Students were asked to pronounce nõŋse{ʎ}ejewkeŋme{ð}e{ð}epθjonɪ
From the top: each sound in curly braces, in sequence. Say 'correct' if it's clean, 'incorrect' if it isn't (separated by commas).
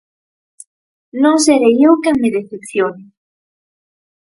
incorrect, correct, incorrect